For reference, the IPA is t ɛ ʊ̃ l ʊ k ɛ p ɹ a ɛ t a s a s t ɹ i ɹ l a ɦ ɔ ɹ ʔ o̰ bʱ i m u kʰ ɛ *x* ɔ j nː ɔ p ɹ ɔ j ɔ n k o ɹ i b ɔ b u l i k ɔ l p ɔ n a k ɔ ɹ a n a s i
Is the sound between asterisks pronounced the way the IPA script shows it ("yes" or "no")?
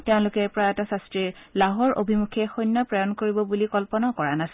yes